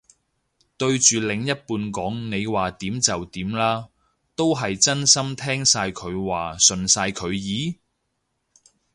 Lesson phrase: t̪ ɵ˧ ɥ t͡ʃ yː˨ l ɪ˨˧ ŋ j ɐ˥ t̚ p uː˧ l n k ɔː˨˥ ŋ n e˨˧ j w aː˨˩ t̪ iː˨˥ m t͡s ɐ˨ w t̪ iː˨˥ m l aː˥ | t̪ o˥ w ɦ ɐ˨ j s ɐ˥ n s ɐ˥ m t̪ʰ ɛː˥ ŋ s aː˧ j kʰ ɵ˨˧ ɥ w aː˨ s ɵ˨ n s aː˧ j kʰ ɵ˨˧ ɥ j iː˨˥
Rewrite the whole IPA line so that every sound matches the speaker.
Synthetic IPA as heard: t̪ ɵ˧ ɥ t͡ʃ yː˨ l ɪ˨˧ ŋ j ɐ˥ t̚ p uː˧ n k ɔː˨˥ ŋ n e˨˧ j w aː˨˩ t̪ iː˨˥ m t͡s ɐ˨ w t̪ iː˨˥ m l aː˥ | t̪ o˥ w ɦ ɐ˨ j t͡s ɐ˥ n s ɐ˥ m t̪ʰ ɛː˥ ŋ s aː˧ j kʰ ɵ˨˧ ɥ w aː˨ s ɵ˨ n s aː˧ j kʰ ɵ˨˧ ɥ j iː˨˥